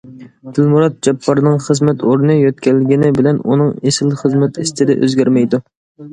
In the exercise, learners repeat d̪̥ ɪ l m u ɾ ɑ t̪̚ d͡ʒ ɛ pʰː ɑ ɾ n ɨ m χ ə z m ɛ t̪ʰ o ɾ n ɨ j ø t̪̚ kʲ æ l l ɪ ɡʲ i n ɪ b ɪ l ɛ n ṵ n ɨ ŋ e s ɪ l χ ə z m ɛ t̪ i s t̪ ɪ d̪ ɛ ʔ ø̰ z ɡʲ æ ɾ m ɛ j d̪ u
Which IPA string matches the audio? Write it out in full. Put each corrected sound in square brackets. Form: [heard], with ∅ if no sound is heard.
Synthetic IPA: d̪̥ ɪ l m u ɾ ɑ t̪̚ d͡ʒ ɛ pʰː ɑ ɾ n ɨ [ŋ] χ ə z m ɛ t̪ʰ o ɾ n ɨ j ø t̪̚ kʲ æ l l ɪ ɡʲ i n ɪ b ɪ l ɛ n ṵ n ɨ ŋ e s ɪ l χ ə z m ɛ t̪ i s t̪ ɪ d̪ ɛ ʔ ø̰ z ɡʲ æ ɾ m ɛ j d̪ u